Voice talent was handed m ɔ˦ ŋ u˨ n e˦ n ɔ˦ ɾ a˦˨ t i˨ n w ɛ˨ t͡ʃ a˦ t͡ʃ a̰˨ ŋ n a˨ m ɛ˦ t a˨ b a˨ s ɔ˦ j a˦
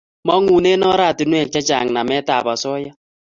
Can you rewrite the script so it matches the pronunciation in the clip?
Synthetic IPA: m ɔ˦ ŋ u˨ n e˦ n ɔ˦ ɾ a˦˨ t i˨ n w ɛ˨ t͡ʃ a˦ t͡ʃ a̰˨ ŋ n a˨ m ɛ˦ t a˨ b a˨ s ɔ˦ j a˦